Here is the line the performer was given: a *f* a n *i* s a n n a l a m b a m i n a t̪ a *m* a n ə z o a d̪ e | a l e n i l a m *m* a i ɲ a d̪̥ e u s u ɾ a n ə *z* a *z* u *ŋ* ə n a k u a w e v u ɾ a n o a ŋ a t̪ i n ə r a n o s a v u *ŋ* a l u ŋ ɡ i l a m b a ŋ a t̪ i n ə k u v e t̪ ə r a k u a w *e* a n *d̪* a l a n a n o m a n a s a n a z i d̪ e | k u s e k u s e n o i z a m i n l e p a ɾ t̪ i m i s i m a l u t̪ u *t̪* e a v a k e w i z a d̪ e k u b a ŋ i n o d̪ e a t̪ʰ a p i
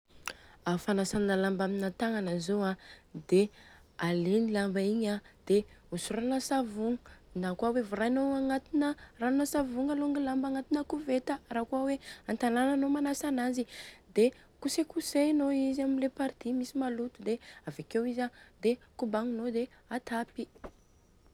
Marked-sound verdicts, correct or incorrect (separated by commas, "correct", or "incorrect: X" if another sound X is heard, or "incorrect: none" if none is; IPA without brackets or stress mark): correct, incorrect: a, incorrect: ŋ, incorrect: b, incorrect: s, incorrect: v, correct, correct, correct, incorrect: t̪, incorrect: d̪